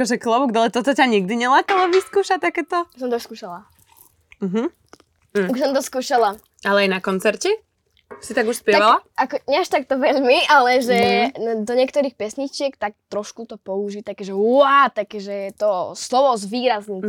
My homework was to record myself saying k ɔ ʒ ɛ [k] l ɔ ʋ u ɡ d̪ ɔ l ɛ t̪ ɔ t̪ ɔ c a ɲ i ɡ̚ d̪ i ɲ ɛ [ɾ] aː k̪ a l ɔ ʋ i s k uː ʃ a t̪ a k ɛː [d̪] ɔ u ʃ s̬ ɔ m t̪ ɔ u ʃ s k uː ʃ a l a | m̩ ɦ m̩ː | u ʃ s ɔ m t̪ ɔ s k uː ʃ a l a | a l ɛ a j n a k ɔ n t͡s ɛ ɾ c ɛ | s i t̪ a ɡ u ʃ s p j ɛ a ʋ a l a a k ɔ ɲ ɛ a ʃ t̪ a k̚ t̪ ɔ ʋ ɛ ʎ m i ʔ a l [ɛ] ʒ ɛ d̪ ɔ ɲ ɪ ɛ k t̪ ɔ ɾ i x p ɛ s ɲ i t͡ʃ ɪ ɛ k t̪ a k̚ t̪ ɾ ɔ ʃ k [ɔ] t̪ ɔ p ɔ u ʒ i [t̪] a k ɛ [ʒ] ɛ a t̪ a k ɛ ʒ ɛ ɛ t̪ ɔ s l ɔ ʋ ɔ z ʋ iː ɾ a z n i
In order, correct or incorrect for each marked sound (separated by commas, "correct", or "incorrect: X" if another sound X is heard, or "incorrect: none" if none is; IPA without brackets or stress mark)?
correct, incorrect: l, incorrect: t̪, correct, incorrect: u, correct, correct